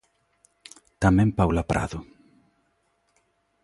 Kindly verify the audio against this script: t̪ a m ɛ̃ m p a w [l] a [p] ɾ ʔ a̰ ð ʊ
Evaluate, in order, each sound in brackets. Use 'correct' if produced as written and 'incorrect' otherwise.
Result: correct, correct

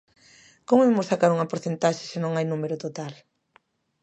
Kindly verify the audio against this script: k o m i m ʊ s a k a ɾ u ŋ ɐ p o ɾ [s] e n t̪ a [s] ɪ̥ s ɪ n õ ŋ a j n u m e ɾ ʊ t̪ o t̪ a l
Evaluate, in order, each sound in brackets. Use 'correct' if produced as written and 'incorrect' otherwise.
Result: incorrect, incorrect

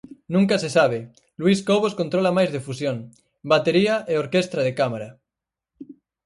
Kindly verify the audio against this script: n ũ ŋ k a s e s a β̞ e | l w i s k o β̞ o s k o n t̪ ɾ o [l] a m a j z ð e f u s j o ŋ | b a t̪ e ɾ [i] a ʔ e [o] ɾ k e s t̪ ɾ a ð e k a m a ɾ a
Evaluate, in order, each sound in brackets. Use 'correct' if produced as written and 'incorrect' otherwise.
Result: correct, correct, correct

